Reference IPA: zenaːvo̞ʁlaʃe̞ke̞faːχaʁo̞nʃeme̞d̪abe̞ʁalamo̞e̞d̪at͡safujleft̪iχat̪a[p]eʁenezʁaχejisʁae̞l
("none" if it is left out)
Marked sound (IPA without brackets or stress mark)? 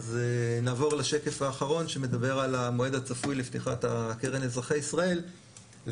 k